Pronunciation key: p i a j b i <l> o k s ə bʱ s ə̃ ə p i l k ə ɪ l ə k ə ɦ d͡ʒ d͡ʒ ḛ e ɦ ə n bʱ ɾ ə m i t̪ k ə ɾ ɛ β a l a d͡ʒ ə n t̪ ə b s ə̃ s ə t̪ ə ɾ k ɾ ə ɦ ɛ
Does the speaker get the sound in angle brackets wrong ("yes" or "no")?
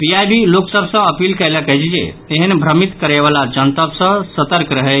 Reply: no